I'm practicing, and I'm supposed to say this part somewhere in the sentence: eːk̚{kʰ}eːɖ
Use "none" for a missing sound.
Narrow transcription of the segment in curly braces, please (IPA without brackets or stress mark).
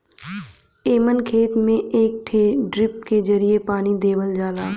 ʈʰ